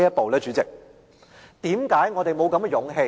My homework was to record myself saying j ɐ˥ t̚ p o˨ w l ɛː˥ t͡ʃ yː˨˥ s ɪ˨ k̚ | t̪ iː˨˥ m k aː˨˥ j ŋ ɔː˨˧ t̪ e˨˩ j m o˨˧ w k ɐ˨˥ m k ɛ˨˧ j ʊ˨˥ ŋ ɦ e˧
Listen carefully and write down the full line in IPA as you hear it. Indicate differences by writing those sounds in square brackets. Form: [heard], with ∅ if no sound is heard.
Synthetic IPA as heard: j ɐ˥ t̚ p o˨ w l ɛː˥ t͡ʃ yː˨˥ [t͡s] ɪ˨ k̚ | t̪ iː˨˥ m k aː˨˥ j ŋ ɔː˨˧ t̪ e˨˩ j m o˨˧ w k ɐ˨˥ m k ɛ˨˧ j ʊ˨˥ ŋ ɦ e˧

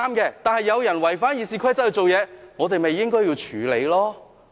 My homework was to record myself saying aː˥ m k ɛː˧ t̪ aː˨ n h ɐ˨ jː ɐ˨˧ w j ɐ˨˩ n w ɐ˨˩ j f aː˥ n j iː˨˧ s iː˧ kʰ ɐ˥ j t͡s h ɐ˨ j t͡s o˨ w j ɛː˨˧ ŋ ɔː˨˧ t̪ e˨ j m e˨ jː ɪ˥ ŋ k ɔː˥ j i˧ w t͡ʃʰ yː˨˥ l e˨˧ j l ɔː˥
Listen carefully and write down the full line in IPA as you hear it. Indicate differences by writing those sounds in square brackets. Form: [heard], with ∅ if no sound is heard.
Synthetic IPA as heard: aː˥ m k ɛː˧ t̪ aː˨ n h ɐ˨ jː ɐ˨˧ w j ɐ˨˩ n w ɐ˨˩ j f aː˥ n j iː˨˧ s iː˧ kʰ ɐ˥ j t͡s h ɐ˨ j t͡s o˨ w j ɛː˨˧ ŋ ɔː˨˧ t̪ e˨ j m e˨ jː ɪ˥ ŋ k ɔː˥ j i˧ w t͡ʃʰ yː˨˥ l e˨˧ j l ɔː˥

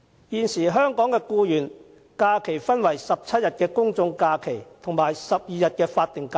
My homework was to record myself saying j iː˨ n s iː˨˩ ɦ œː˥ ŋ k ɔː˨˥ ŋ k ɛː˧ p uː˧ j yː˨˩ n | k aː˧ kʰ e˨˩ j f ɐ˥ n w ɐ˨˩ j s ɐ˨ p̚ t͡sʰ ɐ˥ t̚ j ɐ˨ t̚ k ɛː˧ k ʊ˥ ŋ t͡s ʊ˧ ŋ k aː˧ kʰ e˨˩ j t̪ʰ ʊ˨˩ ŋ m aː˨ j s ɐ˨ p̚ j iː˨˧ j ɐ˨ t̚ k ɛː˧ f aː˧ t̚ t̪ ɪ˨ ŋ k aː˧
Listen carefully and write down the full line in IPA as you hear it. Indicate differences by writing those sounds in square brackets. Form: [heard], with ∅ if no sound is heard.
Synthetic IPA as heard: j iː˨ n s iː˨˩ ɦ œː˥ ŋ k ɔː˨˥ ŋ k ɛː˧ [k] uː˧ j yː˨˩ n | k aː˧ kʰ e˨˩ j f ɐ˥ n w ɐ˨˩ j s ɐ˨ p̚ t͡sʰ ɐ˥ t̚ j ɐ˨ t̚ k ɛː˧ k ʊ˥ ŋ t͡s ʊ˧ ŋ k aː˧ kʰ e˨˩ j t̪ʰ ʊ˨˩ ŋ m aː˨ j s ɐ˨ p̚ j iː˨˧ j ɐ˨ t̚ k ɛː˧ f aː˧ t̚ t̪ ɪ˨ ŋ k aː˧

